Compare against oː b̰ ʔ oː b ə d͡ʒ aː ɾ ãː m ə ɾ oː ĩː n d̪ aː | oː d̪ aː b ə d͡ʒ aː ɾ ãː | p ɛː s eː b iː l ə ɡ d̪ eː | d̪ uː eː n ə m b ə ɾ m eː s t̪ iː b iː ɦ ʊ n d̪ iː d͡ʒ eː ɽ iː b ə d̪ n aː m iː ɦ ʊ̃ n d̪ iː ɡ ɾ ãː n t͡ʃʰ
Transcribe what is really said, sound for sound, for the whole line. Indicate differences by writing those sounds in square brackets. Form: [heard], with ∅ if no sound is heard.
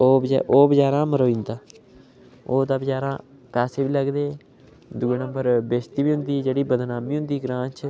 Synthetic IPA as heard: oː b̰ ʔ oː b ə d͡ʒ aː ɾ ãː m ə ɾ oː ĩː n d̪ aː | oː d̪ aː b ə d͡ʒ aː ɾ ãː | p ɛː s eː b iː l ə ɡ d̪ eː | d̪ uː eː n ə m b ə ɾ [b] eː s t̪ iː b iː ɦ ʊ n d̪ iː d͡ʒ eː ɽ iː b ə d̪ n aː m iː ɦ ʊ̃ n d̪ iː ɡ ɾ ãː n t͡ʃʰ